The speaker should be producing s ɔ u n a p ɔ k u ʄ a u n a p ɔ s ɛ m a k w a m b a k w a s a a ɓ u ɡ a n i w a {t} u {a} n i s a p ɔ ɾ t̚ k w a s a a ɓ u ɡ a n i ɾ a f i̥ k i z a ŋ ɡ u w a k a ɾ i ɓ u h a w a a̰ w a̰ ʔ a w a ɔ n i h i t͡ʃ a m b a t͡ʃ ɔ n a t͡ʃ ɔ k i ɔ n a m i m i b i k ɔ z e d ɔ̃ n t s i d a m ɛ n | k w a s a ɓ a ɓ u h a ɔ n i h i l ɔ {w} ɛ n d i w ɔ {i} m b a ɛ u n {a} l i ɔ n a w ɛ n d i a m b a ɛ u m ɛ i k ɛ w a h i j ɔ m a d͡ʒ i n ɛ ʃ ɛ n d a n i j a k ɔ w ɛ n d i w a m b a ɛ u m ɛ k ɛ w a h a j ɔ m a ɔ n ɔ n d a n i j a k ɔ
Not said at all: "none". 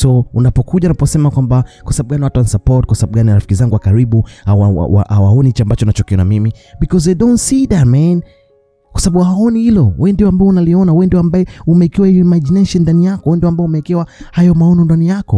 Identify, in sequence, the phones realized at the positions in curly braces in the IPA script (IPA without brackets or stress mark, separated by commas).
t, a, w, a, a